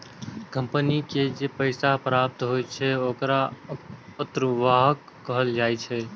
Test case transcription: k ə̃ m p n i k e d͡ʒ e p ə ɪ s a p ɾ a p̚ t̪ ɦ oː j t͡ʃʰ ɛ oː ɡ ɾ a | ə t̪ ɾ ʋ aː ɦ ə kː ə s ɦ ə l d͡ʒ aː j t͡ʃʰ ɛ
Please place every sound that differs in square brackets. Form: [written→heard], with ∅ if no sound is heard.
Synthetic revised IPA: k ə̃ m p n i k e d͡ʒ e p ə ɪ s a p ɾ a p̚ t̪ ɦ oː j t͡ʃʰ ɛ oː [ɡ→k] ɾ a | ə t̪ ɾ ʋ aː ɦ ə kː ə [s→∅] ɦ ə l d͡ʒ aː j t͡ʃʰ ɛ